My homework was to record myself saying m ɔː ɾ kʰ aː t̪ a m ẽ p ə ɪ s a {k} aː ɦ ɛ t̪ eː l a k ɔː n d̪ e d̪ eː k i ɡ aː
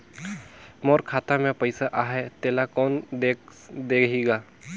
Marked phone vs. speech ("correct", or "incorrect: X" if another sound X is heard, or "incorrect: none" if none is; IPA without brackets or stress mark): incorrect: ʔ